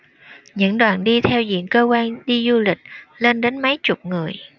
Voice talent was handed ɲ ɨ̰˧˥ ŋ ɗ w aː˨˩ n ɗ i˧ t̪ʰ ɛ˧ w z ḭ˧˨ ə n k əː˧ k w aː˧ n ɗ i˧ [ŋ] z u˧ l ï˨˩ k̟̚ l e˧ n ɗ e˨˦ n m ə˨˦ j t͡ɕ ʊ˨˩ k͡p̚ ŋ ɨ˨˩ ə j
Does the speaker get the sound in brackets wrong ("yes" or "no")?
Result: yes